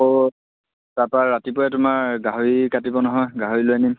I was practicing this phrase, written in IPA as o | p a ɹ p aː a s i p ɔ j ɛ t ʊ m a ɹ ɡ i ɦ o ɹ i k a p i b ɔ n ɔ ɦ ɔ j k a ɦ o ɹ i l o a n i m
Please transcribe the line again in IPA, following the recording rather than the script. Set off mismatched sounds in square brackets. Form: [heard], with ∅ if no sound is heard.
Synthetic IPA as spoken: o | [t] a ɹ p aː a [t] i p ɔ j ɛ t ʊ m a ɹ ɡ [a] ɦ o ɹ i k a [t] i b ɔ n ɔ ɦ ɔ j [ɡ] a ɦ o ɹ i l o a n i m